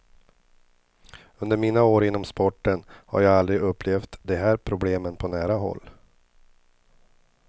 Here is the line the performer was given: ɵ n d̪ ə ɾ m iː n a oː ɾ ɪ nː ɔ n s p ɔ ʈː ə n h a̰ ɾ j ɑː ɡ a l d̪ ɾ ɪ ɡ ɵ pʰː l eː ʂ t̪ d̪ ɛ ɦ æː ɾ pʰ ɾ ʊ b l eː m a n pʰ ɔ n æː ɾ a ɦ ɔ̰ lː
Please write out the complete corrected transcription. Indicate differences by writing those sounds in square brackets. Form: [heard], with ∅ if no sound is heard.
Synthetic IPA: ɵ n d̪ ə ɾ m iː n a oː ɾ ɪ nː ɔ [m] s p ɔ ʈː ə n h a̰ ɾ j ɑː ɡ a l d̪ ɾ ɪ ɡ ɵ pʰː l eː [f] t̪ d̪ ɛ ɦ æː ɾ pʰ ɾ ʊ b l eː m [ə] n pʰ ɔ n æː ɾ a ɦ ɔ̰ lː